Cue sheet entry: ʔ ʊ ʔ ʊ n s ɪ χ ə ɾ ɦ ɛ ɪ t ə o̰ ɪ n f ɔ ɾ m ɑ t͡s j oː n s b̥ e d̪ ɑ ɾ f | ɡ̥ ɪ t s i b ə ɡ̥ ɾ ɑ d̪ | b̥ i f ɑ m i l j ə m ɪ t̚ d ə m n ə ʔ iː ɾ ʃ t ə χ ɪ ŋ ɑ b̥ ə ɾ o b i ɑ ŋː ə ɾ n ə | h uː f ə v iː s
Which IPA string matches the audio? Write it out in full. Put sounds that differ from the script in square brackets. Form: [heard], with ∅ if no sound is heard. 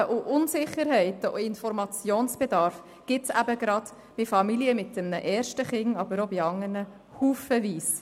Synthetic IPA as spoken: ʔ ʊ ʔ ʊ n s ɪ χ ə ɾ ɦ ɛ ɪ t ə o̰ ɪ n f ɔ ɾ m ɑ t͡s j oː n s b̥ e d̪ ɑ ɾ f | ɡ̥ ɪ t s [æ] b ə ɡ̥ ɾ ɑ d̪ | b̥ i f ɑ m i l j ə m ɪ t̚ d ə m n ə ʔ [ɛː] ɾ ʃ t ə χ ɪ ŋ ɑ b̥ ə ɾ o b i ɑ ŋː ə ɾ n ə | h uː f ə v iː s